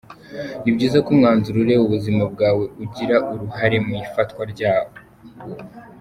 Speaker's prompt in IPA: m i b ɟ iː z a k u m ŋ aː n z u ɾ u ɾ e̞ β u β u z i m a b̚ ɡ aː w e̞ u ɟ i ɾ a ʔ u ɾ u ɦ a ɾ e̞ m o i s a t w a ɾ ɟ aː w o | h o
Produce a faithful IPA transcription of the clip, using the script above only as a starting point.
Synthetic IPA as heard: n i b ɟ iː z a k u m ŋ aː n z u ɾ u ɾ e̞ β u β u z i m a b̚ ɡ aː w e̞ u ɟ i ɾ a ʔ u ɾ u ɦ a ɾ e̞ m u i f a t w a ɾ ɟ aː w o | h o